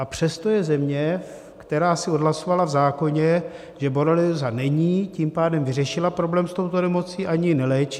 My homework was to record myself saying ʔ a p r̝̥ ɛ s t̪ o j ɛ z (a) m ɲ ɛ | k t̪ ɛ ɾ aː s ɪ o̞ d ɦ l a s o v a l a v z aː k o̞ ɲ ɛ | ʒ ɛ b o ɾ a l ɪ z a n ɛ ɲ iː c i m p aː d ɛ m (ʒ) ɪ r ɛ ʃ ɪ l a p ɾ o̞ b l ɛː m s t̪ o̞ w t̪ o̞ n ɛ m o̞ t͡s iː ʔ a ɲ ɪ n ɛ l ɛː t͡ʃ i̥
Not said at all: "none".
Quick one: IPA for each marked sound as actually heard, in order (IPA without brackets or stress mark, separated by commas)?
ɛ, v